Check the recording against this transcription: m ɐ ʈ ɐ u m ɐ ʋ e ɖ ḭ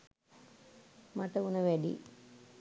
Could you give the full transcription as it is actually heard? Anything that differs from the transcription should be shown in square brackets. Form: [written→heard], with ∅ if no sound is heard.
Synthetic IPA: m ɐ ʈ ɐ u [m→n] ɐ ʋ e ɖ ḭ